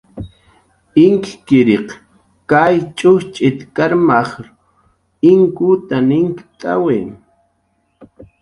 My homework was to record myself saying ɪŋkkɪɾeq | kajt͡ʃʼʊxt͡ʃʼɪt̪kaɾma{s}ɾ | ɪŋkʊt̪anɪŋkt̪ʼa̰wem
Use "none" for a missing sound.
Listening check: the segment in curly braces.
χ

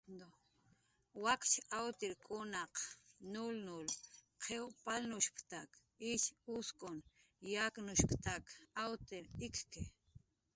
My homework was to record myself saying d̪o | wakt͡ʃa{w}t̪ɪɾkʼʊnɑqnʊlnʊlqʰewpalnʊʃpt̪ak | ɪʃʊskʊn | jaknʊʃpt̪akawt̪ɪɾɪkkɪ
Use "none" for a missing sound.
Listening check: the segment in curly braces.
w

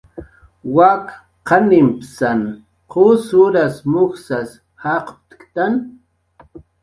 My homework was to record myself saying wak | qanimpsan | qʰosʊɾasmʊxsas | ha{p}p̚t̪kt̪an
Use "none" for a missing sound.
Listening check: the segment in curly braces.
q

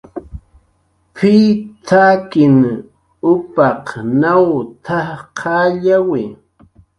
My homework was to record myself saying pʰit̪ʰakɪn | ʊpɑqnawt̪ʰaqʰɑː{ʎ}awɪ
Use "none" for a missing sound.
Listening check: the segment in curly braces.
ʎ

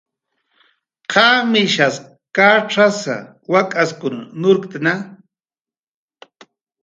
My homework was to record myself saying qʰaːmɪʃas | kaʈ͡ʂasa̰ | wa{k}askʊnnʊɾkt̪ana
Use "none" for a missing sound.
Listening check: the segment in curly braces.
kʼ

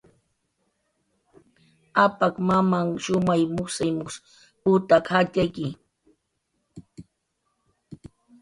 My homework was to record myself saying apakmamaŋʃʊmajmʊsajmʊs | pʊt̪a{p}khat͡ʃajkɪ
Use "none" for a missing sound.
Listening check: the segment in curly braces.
none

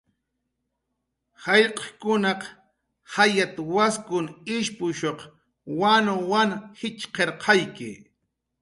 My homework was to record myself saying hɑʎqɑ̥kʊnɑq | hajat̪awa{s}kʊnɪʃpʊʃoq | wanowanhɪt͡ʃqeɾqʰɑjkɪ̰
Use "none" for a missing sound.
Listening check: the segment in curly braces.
s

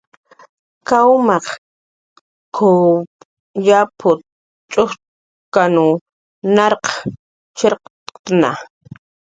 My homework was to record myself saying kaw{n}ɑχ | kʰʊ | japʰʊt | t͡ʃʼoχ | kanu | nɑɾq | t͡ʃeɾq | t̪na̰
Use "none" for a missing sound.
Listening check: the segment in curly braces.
m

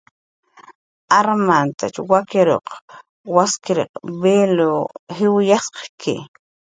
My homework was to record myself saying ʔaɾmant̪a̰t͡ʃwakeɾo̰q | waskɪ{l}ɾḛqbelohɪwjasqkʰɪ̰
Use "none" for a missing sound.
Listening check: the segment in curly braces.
none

